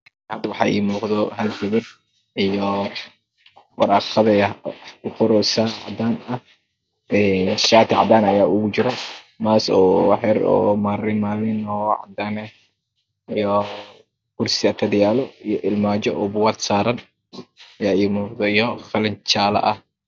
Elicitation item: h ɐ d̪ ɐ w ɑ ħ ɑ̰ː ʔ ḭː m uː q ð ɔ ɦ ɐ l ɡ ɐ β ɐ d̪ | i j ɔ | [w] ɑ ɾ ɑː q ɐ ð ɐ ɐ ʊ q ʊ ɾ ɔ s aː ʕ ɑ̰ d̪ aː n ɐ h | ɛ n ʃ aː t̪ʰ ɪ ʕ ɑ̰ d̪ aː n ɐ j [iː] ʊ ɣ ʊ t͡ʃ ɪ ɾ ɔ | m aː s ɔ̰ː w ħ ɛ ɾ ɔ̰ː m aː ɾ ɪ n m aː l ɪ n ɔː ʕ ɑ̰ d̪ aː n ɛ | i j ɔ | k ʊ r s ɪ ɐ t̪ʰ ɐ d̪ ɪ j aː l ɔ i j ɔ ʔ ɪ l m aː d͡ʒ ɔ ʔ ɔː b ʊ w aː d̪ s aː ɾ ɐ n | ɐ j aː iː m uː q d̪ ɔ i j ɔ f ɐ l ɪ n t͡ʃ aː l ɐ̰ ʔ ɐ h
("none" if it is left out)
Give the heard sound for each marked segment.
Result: w, aː

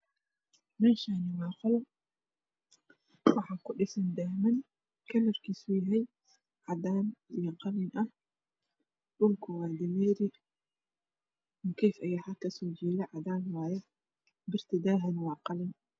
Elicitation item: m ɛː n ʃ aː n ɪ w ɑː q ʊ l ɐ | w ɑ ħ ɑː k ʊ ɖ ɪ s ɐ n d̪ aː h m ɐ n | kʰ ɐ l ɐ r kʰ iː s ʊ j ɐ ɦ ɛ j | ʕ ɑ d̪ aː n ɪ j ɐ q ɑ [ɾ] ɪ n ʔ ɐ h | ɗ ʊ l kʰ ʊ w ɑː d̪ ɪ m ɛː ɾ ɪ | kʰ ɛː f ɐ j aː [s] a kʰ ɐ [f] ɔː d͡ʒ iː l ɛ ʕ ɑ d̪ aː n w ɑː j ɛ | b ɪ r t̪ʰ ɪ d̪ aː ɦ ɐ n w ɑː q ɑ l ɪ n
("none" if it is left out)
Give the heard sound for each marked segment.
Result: l, ħ, s

